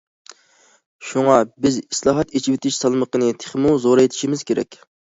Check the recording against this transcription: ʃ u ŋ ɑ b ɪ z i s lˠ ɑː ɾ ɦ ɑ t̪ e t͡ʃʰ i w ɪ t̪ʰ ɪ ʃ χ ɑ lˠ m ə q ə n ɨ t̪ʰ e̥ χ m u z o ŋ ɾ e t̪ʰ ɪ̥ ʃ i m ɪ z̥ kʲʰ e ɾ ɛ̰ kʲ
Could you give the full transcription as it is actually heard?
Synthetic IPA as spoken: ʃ u ŋ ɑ b ɪ z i s lˠ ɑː ɦ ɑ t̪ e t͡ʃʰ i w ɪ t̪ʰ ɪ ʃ s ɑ lˠ m ə q ə n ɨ t̪ʰ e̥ χ m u z o ɾ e t̪ʰ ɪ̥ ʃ i m ɪ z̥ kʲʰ e ɾ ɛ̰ kʲ